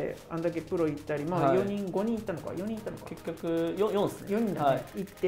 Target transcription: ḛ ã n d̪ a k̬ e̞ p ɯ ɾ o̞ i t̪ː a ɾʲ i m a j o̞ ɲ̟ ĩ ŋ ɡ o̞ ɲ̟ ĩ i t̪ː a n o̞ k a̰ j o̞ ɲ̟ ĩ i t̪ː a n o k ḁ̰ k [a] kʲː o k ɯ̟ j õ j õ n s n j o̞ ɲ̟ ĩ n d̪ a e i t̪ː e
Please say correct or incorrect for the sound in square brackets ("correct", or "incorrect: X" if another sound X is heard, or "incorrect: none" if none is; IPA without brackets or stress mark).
incorrect: e